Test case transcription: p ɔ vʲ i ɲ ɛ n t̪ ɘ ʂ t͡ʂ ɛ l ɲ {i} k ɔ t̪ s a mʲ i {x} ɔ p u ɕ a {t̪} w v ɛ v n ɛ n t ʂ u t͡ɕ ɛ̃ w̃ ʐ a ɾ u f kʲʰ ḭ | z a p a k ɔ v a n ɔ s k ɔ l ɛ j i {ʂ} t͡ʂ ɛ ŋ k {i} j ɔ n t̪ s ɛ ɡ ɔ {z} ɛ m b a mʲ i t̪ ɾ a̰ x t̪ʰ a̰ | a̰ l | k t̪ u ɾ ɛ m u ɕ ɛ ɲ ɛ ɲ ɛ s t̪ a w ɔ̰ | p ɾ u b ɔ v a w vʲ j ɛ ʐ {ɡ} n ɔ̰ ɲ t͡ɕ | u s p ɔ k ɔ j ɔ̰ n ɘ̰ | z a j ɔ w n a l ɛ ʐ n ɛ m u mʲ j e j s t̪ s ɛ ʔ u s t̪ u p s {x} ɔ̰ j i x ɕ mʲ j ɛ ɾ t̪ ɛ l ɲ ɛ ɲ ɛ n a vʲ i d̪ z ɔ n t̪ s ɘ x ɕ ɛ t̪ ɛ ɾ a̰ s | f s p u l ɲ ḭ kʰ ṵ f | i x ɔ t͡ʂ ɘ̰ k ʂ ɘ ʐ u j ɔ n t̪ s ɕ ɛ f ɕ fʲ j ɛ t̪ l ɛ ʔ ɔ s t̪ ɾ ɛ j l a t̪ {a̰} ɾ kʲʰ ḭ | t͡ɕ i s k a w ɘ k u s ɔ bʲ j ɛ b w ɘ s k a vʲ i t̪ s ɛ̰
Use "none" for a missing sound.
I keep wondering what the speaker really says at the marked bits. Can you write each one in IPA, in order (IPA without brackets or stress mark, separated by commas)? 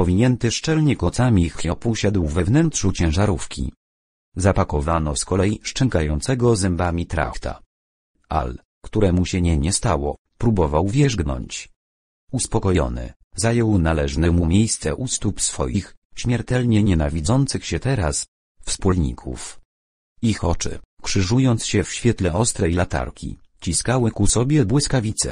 ɛ, x, d̪, ʂ, a, z, ɡ, f, a̰